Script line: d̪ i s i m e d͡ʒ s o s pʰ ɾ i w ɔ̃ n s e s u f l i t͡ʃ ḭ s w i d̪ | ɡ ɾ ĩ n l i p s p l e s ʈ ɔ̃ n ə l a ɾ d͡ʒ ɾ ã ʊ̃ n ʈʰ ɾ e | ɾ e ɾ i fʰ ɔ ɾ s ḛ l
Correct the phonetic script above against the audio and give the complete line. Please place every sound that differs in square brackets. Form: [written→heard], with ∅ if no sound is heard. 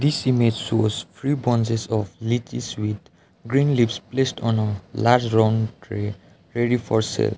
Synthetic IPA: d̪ i s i m e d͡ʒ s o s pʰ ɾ i [w→b] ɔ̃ n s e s [u→ɔ] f l i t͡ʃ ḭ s w i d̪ | ɡ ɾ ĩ n l i p s p l e s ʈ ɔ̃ n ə l a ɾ d͡ʒ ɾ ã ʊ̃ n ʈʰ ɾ e | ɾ e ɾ i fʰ ɔ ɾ s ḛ l